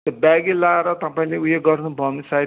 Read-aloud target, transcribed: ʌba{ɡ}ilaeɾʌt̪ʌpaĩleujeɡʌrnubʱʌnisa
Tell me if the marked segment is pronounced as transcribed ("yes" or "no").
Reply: yes